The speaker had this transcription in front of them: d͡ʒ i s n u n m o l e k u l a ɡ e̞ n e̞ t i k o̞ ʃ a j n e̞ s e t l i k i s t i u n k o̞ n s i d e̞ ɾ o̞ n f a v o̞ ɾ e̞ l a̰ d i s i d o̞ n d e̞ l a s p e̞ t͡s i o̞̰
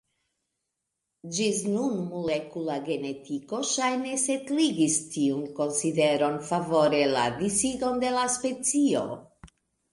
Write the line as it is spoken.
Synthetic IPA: d͡ʒ i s n u n m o l e k u l a ɡ e̞ n e̞ t i k o̞ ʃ a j n e̞ s e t l i ɡ i s t i u n k o̞ n s i d e̞ ɾ o̞ n f a v o̞ ɾ e̞ l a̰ d i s i d o̞ n d e̞ l a s p e̞ t͡s i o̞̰